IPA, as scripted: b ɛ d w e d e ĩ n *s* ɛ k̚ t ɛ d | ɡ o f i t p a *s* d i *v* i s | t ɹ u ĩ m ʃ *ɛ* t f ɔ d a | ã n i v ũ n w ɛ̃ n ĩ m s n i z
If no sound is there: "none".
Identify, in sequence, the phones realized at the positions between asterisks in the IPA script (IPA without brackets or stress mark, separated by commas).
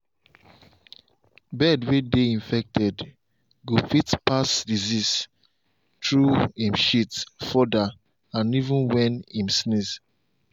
f, s, z, i